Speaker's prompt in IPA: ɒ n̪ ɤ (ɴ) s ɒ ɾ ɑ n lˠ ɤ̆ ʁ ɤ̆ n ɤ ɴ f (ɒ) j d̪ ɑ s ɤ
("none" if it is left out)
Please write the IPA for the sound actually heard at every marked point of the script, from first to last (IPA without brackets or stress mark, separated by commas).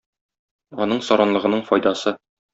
ɴ, ɒ